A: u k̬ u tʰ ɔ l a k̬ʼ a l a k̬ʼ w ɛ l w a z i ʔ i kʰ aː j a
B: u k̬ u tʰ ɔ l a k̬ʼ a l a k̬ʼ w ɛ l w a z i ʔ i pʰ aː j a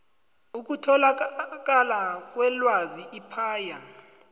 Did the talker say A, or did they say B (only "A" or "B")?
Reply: B